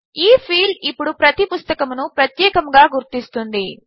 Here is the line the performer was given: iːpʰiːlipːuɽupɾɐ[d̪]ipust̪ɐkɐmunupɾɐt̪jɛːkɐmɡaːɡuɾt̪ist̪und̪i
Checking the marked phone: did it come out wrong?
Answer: yes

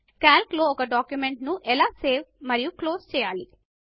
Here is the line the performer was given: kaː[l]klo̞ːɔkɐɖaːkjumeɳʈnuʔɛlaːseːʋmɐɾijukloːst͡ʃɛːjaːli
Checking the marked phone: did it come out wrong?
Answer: no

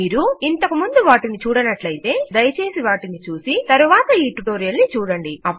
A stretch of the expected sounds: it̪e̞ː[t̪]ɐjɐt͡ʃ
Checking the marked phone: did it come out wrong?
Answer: yes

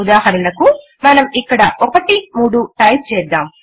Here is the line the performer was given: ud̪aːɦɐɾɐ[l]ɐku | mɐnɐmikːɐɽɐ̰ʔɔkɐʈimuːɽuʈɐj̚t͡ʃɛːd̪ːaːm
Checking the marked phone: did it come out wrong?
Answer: no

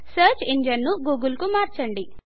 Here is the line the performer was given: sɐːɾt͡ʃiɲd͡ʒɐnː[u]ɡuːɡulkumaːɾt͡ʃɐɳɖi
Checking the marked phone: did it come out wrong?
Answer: no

